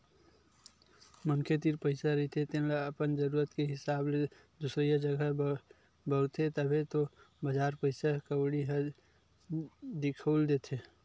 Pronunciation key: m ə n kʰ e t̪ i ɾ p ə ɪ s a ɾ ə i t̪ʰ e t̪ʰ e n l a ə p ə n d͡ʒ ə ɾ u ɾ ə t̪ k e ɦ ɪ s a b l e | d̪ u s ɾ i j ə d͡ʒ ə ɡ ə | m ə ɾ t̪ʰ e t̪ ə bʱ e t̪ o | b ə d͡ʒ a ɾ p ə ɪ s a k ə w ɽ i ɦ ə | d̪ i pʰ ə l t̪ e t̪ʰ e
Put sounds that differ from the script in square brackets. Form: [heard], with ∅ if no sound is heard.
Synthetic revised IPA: m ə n kʰ e t̪ i ɾ p ə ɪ s a ɾ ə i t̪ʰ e [t̪] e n l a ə p ə n d͡ʒ ə ɾ u ɾ ə t̪ k e ɦ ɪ s a b l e | d̪ u s ɾ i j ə d͡ʒ ə ɡ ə | [b] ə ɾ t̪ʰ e t̪ ə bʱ e t̪ o | b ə d͡ʒ a ɾ p ə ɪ s a k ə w ɽ i ɦ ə | d̪ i [kʰ] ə l [d̪] e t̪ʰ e